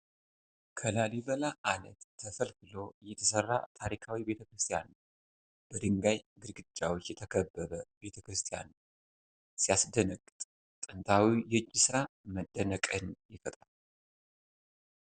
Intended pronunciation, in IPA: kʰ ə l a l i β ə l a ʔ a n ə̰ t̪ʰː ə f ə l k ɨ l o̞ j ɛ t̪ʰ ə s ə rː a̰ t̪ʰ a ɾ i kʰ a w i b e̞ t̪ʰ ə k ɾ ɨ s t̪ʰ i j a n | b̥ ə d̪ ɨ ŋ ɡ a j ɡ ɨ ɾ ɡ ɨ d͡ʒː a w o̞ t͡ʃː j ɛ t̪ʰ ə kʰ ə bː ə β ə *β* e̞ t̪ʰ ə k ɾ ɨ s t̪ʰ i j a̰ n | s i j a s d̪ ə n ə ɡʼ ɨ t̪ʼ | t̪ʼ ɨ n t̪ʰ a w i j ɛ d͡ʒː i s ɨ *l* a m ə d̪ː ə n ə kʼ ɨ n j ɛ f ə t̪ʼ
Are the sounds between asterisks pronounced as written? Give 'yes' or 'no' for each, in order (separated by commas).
no, no